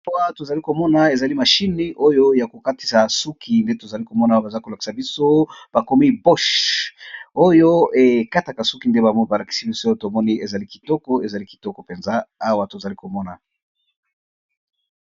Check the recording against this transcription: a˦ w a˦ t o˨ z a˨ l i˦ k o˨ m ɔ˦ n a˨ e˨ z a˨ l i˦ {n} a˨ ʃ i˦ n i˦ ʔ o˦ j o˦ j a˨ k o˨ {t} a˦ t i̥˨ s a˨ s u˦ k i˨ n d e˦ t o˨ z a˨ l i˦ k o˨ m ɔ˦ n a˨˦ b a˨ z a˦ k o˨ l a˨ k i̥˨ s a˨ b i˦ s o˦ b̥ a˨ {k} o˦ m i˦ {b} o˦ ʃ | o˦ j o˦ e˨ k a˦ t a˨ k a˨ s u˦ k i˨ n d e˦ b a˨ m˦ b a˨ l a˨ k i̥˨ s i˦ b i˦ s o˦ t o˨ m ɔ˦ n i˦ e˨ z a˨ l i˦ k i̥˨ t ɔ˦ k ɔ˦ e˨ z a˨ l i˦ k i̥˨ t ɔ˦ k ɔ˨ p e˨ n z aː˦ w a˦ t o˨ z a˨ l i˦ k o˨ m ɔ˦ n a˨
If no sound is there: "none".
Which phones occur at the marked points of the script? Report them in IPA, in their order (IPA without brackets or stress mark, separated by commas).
m, k, k, b